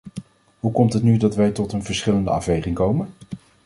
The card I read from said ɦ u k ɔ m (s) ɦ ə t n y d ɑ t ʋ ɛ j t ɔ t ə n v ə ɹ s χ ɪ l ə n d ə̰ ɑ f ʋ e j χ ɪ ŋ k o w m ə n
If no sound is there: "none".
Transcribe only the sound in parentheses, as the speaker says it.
t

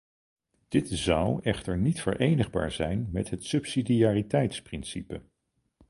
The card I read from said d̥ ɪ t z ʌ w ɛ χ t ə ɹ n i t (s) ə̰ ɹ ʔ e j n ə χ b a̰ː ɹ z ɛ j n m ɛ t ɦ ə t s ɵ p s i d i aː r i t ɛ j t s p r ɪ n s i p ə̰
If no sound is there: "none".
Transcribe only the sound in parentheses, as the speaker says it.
f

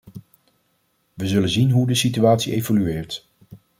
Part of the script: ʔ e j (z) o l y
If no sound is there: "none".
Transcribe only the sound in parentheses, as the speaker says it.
v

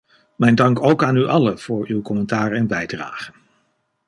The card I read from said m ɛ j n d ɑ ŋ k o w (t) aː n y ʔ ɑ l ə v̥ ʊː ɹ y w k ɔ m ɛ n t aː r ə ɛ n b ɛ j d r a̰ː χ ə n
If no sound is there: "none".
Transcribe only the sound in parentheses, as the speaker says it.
k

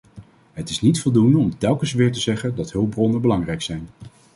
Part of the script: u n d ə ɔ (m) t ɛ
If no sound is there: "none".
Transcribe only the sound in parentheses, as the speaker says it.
m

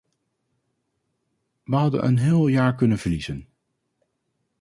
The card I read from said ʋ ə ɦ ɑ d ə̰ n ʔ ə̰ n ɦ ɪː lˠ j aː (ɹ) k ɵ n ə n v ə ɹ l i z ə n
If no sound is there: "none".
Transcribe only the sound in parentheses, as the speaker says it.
ɹ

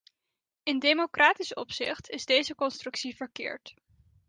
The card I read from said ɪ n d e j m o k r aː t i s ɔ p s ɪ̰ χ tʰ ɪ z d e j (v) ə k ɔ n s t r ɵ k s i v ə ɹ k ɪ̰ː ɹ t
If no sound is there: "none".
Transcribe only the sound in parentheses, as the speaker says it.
z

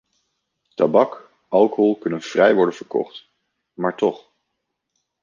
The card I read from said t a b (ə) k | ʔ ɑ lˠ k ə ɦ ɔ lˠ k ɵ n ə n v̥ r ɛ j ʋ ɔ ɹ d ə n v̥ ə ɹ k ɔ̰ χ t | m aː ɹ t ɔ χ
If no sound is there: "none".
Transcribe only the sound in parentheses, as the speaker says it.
ɑ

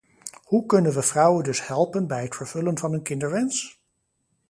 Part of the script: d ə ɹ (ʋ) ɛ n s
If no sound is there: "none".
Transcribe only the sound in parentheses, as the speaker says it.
ʋ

